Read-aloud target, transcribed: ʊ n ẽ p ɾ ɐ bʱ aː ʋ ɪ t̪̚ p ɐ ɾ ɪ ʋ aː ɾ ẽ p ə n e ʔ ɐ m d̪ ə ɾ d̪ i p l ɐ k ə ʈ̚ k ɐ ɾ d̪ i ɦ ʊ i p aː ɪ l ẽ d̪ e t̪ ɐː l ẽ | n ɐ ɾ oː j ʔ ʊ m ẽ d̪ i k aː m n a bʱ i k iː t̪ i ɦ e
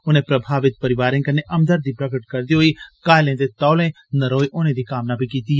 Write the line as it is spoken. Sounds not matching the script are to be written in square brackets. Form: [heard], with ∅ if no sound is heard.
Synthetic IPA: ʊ n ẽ p ɾ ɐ bʱ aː ʋ ɪ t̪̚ p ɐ ɾ ɪ ʋ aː ɾ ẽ [k] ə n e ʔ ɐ m d̪ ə ɾ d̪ i p [ɾ] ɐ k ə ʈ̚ k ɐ ɾ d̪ i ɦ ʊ i [k] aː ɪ l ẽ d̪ e t̪ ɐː l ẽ | n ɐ ɾ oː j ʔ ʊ [n] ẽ d̪ i k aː m n a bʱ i k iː t̪ i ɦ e